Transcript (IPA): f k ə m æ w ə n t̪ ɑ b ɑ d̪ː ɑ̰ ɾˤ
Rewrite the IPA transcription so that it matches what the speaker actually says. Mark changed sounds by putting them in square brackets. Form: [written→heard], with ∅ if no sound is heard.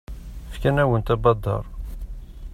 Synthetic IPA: f k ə [m→n] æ w ə n t̪ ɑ b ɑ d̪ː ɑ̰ ɾˤ